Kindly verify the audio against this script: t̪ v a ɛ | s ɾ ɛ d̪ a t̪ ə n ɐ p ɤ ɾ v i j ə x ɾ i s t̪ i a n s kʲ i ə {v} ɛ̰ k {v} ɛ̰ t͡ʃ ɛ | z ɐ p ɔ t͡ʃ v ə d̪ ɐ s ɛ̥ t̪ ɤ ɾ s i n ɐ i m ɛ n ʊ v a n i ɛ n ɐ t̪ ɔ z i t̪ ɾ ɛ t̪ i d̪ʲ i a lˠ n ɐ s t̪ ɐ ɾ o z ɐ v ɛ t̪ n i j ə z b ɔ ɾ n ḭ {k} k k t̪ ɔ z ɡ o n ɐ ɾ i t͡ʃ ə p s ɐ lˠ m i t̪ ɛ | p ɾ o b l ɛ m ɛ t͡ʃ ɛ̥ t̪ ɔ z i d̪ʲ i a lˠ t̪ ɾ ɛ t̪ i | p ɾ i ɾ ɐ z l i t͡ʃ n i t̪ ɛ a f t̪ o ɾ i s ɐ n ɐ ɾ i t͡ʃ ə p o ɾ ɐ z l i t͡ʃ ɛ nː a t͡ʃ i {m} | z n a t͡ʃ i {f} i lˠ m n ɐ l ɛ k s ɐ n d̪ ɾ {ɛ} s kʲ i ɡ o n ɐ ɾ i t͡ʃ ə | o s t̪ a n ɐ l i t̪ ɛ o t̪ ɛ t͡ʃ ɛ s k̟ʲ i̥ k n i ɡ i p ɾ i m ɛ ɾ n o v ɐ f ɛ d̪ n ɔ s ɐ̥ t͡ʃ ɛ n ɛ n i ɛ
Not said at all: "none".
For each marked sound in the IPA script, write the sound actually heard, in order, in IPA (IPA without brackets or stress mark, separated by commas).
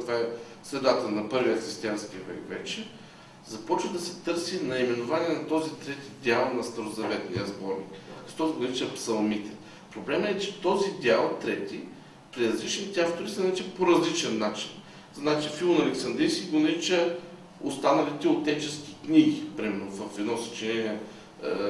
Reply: v, v, k, n, f, i